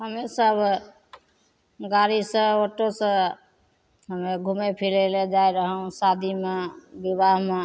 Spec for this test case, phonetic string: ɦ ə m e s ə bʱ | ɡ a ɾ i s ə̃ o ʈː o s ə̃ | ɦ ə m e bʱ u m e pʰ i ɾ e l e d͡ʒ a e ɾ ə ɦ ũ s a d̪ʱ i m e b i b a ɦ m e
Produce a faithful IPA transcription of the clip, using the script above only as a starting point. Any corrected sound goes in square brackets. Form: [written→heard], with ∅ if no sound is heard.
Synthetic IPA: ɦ ə m e s ə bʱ | ɡ a ɾ i s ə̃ o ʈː o s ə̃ | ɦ ə m e [bʱ→ɡʱ] u m e pʰ i [ɾ→l] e l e d͡ʒ a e ɾ ə ɦ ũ s a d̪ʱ i m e b i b a ɦ m e